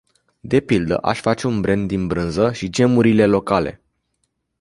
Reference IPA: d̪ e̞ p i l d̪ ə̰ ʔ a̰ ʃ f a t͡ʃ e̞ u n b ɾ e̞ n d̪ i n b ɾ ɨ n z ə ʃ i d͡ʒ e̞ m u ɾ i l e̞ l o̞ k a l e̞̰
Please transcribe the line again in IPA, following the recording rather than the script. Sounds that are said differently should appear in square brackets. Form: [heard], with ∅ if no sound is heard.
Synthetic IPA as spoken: d̪ e̞ p i l d̪ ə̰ ʔ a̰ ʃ f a t͡ʃ e̞ u n b ɾ e̞ n d̪ i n b ɾ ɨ n z ə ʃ i d͡ʒ e̞ m u ɾ i l e̞ l o̞ k a l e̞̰

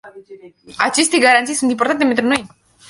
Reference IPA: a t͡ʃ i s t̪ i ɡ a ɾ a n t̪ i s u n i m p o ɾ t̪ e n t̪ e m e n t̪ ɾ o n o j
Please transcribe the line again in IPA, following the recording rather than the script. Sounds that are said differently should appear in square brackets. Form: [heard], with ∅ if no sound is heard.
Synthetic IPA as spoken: a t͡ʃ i s t̪ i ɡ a ɾ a n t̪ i s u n i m p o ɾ t̪ [a] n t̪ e m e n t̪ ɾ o n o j

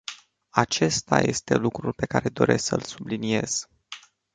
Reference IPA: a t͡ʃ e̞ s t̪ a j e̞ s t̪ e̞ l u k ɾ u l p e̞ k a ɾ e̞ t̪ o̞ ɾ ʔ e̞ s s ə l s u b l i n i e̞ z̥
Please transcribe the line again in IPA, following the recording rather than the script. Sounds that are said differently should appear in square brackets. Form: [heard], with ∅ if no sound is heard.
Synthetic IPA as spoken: a t͡ʃ e̞ s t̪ a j e̞ s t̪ e̞ l u k ɾ u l p e̞ k a ɾ e̞ [d̪] o̞ ɾ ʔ e̞ s s ə l s u b l i n i e̞ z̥

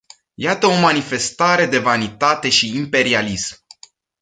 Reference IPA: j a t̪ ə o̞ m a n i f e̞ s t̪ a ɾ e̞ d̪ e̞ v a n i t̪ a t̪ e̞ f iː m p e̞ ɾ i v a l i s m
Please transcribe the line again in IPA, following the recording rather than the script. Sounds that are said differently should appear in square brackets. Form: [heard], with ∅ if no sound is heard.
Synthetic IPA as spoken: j a t̪ ə o̞ m a n i f e̞ s t̪ a ɾ e̞ d̪ e̞ v a n i t̪ a t̪ e̞ [ʃ] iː m p e̞ ɾ i [∅] a l i s m

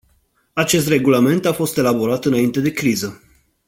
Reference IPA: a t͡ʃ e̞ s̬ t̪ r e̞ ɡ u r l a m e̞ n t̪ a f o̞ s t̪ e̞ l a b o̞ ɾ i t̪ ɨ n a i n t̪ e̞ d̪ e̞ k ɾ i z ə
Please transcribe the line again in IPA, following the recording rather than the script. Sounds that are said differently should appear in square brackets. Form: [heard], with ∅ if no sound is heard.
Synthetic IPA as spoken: a t͡ʃ e̞ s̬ t̪ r e̞ ɡ u [∅] l a m e̞ n t̪ a f o̞ s t̪ e̞ l a b o̞ ɾ [a] t̪ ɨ n a i n t̪ e̞ d̪ e̞ k ɾ i z ə

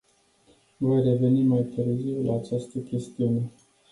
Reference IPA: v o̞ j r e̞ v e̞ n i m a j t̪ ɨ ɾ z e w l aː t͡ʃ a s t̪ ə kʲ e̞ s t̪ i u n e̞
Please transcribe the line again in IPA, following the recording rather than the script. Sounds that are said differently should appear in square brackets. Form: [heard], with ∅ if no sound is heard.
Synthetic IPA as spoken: v o̞ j r e̞ v e̞ n i m a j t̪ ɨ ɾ z [i] w l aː t͡ʃ a s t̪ ə kʲ e̞ s t̪ i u n e̞

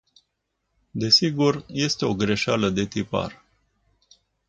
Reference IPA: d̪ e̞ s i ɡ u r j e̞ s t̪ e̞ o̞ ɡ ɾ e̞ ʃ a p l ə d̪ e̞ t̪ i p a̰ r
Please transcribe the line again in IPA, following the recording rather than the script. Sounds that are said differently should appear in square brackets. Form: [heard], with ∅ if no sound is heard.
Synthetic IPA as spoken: d̪ e̞ s i ɡ u r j e̞ s t̪ e̞ o̞ ɡ ɾ e̞ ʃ a [∅] l ə d̪ e̞ t̪ i p a̰ r

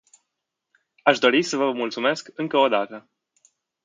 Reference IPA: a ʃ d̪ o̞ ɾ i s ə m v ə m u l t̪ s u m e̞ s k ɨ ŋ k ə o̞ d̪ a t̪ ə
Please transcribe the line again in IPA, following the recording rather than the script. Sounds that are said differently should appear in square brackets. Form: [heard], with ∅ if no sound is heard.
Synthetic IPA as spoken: a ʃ d̪ o̞ ɾ i s ə [∅] v ə m u l t̪ s u m e̞ s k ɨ ŋ k ə o̞ d̪ a t̪ ə

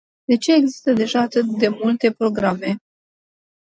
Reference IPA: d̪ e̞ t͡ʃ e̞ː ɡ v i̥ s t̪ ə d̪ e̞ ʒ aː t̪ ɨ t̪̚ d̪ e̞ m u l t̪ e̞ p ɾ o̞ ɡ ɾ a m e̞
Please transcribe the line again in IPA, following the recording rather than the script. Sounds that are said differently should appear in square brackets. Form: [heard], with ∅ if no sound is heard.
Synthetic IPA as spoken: d̪ e̞ t͡ʃ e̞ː ɡ [z] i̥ s t̪ ə d̪ e̞ ʒ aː t̪ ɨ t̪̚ d̪ e̞ m u l t̪ e̞ p ɾ o̞ ɡ ɾ a m e̞

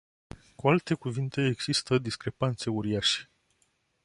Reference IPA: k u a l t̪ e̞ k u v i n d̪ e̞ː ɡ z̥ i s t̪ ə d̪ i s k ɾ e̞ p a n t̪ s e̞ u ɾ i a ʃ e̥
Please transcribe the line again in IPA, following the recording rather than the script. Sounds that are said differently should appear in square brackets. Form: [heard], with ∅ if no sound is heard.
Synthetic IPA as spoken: k u a l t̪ e̞ k u v i n [t̪] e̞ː ɡ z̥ i s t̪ ə d̪ i s k ɾ e̞ p a n t̪ s e̞ u ɾ i a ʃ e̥

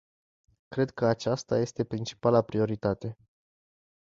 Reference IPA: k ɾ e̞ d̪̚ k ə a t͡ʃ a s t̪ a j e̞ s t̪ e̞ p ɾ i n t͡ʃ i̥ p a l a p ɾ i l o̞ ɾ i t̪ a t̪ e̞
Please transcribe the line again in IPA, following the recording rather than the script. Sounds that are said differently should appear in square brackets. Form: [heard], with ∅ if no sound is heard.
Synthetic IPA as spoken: k ɾ e̞ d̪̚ k ə a t͡ʃ a s t̪ a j e̞ s t̪ e̞ p ɾ i n t͡ʃ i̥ p a l a p ɾ i [∅] o̞ ɾ i t̪ a t̪ e̞

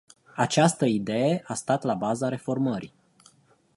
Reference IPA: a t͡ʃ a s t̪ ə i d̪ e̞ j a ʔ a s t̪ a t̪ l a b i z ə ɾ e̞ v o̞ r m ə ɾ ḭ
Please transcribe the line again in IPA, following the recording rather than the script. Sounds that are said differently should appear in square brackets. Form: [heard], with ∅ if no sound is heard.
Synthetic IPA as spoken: a t͡ʃ a s t̪ ə i d̪ e̞ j [e] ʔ a s t̪ a t̪ l a b [a] z [a] ɾ e̞ [f] o̞ r m ə ɾ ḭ

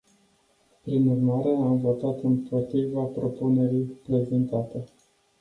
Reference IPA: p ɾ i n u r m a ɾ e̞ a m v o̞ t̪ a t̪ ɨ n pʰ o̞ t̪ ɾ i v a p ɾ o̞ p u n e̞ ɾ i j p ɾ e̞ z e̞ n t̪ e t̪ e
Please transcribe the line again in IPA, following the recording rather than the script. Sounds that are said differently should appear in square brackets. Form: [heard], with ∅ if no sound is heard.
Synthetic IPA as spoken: p ɾ i n u r m a ɾ e̞ a m v o̞ t̪ a t̪ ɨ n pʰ o̞ t̪ ɾ i v a p ɾ o̞ p u n e̞ ɾ i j p ɾ e̞ z e̞ n t̪ [a] t̪ e

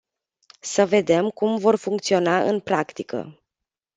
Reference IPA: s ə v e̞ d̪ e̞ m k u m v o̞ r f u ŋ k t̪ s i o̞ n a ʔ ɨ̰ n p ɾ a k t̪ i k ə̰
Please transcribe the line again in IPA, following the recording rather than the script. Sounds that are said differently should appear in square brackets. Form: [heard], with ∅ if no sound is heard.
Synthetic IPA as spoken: s ə v e̞ d̪ e̞ m k u m v o̞ r f u ŋ k t̪ s i o̞ n a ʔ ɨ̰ n p ɾ a k t̪ i k ə̰

